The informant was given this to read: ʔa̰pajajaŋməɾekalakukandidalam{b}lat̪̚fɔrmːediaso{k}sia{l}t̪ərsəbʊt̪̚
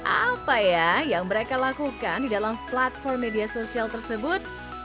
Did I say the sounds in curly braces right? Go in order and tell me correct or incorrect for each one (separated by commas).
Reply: incorrect, incorrect, correct